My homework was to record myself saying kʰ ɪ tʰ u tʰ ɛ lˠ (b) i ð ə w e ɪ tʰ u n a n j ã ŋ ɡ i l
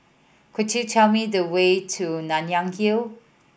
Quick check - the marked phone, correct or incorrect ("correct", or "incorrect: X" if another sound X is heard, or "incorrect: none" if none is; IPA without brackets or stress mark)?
incorrect: m